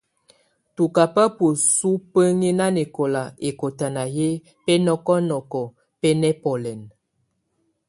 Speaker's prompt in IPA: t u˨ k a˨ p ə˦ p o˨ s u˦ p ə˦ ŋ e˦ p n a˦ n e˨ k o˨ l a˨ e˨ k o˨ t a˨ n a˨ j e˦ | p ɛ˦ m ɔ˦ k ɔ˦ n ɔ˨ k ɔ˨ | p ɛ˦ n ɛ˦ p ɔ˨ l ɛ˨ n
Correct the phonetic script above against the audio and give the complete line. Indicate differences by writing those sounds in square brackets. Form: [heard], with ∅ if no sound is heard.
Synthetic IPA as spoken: t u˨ k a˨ p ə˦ p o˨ s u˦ p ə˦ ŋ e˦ [∅] n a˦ n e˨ k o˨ l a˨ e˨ k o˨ t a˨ n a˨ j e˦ | p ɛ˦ [n] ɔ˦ k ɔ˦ n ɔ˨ k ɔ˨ | p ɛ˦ n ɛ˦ p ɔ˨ l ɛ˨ n